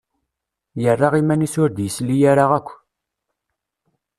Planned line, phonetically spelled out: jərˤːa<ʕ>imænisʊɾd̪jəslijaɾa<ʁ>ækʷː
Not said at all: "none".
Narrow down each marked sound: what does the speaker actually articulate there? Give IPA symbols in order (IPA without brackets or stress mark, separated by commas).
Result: ʁ, ʁ